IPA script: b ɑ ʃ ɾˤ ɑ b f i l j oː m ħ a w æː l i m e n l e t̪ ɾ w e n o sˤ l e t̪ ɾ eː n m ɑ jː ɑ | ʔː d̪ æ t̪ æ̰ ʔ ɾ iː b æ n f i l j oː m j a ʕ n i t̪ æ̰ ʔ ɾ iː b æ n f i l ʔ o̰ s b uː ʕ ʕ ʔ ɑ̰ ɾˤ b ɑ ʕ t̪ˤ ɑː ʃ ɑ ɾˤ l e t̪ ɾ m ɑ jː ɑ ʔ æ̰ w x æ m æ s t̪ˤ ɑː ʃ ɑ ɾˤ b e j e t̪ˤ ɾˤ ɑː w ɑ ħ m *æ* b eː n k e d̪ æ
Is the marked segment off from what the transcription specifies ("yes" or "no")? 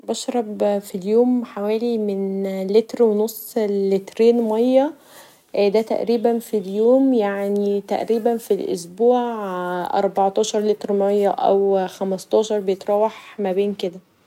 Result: no